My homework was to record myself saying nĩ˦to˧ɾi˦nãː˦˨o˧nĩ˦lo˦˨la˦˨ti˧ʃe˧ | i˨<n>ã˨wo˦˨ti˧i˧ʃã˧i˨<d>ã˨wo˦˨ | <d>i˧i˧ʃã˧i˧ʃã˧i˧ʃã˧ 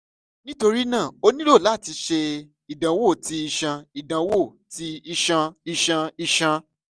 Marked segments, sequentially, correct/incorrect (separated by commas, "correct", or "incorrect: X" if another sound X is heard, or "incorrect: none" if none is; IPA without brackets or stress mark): incorrect: d, correct, incorrect: t